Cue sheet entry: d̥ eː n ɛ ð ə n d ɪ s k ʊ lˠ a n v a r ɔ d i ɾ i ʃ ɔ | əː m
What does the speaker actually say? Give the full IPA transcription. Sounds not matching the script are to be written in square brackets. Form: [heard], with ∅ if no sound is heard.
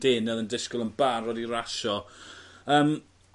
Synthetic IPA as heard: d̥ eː n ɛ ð ə n d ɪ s k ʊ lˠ [ə] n [b] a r ɔ d i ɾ [a] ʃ ɔ | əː m